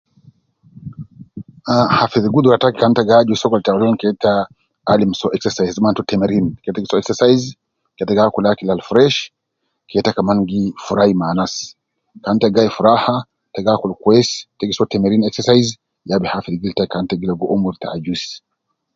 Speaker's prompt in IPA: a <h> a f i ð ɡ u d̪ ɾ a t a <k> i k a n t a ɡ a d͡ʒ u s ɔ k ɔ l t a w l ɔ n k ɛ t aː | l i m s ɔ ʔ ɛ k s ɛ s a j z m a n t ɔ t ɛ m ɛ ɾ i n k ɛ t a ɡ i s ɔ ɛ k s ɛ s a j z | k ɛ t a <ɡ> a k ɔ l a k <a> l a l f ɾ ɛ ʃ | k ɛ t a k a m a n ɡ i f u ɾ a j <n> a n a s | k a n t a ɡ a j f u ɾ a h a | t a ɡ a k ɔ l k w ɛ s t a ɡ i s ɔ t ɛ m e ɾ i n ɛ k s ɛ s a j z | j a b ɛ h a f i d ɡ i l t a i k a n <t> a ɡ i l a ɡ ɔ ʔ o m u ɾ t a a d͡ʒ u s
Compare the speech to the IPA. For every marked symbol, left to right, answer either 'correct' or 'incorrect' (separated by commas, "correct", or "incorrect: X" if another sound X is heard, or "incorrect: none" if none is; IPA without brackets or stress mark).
correct, correct, correct, incorrect: i, incorrect: m, correct